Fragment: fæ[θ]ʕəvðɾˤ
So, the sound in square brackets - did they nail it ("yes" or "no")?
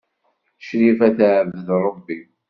yes